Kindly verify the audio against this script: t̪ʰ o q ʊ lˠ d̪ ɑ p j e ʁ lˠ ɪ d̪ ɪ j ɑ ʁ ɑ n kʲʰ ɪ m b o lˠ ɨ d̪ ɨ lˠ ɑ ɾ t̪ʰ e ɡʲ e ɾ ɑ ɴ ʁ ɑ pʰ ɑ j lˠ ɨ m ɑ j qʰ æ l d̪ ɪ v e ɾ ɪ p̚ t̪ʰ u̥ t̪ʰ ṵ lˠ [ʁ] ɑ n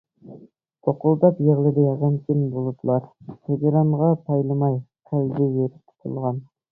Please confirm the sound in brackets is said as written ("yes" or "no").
yes